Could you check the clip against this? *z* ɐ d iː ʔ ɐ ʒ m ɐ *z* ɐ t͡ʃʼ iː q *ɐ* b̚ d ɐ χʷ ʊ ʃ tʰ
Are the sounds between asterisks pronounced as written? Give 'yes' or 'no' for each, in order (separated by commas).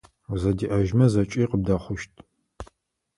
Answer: yes, yes, no